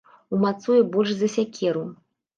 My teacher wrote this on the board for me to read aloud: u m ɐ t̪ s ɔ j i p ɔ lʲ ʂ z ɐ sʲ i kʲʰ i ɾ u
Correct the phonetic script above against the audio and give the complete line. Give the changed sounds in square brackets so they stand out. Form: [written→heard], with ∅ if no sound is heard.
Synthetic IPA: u m [ɐ→a] t̪ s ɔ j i [p→b] ɔ lʲ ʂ z ɐ sʲ [i→a] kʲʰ [i→ɛ] ɾ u